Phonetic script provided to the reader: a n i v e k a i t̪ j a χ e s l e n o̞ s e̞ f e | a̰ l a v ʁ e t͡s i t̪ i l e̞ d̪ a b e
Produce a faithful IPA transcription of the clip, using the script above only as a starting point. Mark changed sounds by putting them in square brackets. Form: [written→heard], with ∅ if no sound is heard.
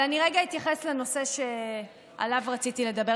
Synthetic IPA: a n i [v→ʁ] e [k→ɡ] a i t̪ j a χ e s l e n o̞ s e̞ [f→ʃ] e | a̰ l a v ʁ [e→a] t͡s i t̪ i l e̞ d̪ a b e